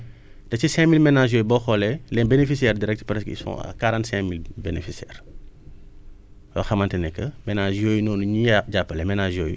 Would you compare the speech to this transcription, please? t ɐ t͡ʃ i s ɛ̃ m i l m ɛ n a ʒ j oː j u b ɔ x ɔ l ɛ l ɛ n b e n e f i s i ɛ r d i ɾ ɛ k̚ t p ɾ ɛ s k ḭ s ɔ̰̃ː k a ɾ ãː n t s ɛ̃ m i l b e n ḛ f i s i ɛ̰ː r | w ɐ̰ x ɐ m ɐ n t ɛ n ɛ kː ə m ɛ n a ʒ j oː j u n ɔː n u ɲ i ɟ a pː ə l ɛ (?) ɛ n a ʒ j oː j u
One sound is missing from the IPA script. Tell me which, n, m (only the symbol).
m